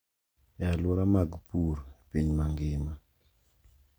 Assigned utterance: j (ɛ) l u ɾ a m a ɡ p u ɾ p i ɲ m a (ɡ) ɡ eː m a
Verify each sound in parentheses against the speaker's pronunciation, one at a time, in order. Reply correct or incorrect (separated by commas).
incorrect, incorrect